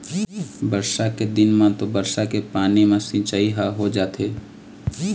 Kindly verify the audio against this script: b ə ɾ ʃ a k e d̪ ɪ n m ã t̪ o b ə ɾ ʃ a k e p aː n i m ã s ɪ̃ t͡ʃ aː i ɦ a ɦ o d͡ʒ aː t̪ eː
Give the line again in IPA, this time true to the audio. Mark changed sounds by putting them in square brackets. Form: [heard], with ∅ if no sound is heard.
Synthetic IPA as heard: b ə ɾ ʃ a k e d̪ ɪ n m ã t̪ o b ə ɾ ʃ a k e p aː n i m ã s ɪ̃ t͡ʃ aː i ɦ a ɦ o d͡ʒ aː t̪ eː